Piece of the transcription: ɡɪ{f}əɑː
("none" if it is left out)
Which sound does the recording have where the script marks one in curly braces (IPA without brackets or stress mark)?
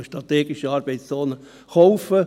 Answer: ʃ